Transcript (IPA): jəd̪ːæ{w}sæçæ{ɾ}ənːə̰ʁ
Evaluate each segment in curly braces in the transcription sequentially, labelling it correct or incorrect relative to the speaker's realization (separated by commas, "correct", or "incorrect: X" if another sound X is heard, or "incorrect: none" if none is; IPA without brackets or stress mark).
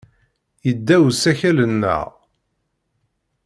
correct, incorrect: l